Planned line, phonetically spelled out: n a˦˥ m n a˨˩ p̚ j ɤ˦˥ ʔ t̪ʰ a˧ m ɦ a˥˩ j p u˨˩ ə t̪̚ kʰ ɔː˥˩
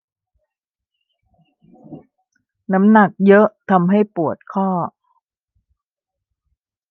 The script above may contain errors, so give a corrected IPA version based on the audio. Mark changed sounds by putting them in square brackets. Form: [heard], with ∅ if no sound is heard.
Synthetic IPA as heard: n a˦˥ m n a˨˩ [k̚] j ɤ˦˥ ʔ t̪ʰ a˧ m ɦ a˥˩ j p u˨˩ ə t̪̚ kʰ ɔː˥˩